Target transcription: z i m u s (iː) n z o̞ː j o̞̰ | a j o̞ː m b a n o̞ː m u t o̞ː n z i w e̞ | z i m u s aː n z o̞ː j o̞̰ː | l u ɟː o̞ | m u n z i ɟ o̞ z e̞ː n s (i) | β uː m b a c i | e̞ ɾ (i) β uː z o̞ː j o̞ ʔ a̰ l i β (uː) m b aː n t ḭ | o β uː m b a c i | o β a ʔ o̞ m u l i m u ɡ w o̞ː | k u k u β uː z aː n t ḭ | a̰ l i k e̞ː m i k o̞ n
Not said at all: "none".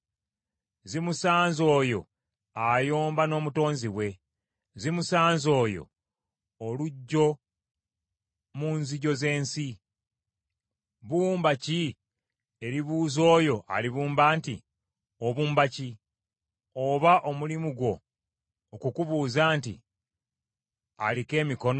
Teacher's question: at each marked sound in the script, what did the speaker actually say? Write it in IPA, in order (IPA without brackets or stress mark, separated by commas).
aː, i, i, uː